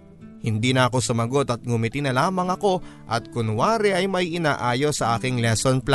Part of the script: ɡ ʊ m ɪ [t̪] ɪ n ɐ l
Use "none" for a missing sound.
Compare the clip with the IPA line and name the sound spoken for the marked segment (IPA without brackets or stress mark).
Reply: t̪